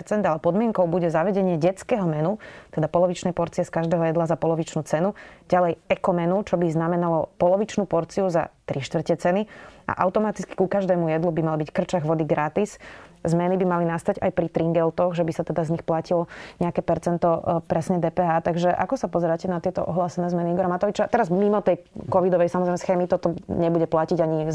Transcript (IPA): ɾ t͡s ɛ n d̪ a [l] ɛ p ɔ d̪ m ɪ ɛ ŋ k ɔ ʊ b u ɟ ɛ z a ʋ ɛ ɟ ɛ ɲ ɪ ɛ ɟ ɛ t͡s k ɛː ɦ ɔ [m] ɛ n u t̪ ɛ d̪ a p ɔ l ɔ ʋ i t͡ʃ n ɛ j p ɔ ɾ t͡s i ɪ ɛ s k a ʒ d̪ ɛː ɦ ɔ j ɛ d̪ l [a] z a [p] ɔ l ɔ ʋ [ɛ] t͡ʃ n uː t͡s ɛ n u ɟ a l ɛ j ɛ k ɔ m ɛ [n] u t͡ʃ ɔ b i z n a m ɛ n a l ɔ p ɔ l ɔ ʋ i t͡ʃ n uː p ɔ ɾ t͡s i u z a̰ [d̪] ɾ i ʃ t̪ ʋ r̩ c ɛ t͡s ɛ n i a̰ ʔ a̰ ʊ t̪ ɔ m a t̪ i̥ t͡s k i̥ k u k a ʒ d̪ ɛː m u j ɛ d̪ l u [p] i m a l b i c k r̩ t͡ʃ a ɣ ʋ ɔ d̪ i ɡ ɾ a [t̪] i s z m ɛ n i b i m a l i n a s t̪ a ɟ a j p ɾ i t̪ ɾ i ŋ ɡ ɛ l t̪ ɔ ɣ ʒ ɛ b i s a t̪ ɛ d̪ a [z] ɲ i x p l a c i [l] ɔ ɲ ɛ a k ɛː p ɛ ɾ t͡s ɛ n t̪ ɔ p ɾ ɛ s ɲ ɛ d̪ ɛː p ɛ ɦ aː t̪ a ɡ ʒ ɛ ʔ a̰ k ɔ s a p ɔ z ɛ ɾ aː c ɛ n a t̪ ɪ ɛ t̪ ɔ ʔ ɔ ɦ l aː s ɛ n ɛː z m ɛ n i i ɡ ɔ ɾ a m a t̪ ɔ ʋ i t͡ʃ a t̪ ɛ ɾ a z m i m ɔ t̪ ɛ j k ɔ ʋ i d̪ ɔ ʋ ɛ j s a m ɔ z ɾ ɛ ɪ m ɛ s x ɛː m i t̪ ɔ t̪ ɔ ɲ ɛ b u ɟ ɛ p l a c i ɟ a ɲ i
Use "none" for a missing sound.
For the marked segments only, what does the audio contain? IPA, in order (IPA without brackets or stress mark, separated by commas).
l, m, a, p, i, n, t̪, b, t̪, z, l